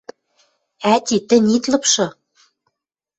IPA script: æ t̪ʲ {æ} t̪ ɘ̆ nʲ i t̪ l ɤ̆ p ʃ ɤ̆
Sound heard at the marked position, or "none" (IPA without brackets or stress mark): i